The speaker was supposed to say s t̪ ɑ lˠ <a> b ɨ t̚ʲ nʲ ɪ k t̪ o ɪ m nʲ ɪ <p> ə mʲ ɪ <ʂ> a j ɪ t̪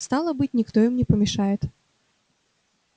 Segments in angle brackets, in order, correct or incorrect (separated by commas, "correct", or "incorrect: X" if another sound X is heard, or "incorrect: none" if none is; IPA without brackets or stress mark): incorrect: ə, correct, correct